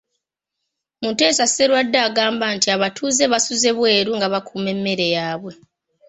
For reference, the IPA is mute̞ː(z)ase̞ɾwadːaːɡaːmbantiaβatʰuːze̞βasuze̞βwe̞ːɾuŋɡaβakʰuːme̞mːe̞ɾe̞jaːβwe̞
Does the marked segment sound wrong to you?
yes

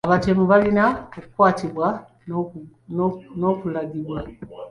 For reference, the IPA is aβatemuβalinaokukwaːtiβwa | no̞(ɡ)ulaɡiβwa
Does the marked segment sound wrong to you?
yes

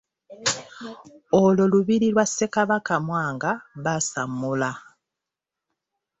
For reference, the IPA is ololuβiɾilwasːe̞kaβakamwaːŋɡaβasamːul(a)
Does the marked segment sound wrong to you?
no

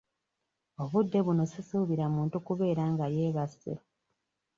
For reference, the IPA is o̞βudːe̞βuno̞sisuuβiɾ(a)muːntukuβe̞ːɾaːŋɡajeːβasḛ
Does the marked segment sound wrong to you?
no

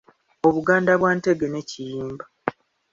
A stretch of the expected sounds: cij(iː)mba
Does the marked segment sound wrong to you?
no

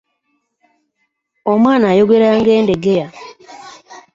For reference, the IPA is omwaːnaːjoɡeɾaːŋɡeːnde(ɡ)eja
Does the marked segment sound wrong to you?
no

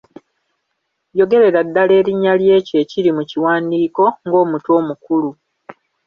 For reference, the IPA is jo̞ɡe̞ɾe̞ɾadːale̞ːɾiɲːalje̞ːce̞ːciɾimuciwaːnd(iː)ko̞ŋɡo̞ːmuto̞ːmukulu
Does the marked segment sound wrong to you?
no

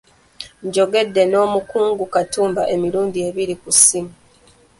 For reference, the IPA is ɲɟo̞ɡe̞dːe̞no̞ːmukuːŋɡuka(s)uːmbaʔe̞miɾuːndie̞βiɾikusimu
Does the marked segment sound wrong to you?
yes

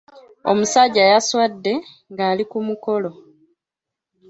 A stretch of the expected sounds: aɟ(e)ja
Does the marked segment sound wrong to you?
yes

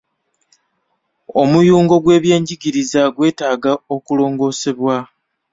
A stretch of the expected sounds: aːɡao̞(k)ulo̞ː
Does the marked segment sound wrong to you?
no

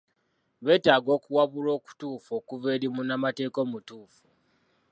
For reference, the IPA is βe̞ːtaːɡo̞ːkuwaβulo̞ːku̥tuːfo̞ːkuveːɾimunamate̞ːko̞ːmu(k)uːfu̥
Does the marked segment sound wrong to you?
yes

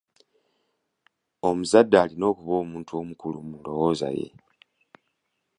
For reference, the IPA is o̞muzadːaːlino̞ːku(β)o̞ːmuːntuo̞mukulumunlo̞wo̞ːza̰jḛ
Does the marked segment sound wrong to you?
no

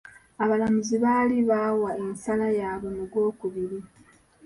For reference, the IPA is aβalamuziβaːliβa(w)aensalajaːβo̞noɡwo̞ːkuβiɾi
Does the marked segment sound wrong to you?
no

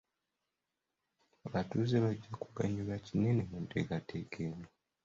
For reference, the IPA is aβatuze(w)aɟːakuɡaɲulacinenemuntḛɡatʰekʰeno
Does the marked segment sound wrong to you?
yes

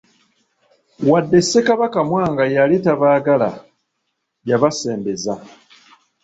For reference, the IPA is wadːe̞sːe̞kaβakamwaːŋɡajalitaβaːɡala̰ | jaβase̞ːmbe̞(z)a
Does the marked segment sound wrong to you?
no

